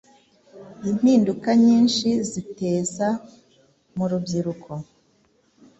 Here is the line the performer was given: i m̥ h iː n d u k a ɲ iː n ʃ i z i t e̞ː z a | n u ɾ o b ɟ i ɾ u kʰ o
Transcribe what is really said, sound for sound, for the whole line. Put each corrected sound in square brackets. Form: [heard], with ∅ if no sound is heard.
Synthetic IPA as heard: i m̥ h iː n d u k a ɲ iː n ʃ i z i t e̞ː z a | [m] u ɾ [u] b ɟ i ɾ u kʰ o